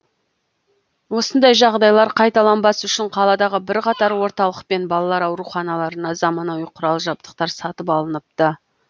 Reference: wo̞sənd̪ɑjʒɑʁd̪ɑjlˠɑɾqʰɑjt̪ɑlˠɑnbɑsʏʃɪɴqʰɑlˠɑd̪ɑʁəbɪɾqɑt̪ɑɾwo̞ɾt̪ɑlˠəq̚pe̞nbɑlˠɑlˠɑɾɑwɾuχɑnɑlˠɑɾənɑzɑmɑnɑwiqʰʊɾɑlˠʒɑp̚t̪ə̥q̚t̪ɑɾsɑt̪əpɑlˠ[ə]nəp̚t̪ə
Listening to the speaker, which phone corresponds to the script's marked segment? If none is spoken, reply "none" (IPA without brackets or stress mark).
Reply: ə